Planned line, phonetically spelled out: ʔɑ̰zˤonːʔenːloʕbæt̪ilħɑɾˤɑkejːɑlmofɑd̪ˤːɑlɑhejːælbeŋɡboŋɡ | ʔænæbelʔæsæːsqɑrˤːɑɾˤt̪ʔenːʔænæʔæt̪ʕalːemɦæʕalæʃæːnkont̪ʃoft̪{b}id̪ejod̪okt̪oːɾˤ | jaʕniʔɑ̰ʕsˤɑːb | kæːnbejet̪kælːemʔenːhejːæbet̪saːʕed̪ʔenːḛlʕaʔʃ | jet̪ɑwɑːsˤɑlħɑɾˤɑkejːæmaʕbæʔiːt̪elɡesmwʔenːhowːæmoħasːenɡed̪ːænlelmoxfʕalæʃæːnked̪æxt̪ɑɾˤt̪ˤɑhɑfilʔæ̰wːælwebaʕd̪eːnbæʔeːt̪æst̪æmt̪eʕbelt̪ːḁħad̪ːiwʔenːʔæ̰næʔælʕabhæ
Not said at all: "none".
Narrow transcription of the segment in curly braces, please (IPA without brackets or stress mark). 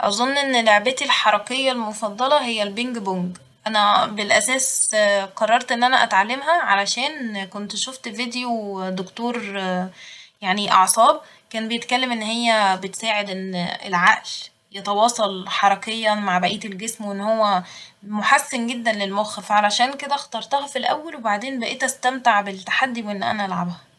v